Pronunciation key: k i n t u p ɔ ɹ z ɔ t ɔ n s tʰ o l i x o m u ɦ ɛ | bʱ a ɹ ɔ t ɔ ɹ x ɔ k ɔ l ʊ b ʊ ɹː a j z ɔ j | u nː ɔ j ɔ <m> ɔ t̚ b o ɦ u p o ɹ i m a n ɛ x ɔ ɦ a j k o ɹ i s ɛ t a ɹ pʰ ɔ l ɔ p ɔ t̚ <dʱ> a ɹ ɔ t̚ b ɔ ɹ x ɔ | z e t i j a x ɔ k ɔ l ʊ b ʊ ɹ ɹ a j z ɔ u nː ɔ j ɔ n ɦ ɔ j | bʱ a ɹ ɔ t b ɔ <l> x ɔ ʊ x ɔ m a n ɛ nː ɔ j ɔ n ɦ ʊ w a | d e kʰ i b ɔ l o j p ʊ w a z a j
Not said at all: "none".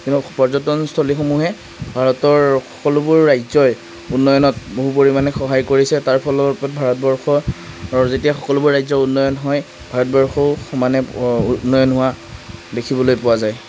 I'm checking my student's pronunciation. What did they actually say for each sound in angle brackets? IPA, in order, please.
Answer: n, bʱ, ɹ

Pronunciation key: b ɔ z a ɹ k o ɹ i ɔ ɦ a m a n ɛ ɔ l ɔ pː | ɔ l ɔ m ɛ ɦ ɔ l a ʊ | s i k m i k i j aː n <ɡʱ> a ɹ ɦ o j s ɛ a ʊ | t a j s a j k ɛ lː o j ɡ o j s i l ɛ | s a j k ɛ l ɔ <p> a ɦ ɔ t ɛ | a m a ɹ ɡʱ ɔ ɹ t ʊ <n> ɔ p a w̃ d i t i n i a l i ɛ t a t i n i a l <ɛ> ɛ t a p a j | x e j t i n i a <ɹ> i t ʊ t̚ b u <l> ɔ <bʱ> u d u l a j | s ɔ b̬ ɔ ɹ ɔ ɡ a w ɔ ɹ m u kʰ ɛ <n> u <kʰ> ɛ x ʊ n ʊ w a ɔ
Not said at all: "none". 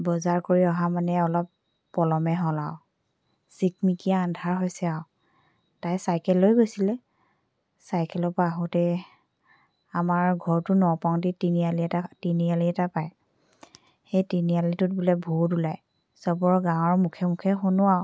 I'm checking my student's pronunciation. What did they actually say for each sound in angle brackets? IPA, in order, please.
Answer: dʱ, p, n, i, l, l, bʱ, m, kʰ

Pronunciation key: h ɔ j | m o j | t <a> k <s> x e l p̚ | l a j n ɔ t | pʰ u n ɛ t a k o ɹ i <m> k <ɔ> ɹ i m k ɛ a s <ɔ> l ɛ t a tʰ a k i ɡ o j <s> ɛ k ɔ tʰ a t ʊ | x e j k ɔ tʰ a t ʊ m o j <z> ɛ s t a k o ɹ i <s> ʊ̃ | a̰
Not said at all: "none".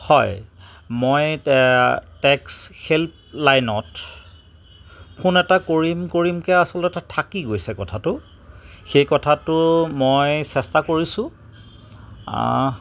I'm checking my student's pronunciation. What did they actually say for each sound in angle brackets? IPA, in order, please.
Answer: ɛ, s, m, o, ɔ, s, s, s

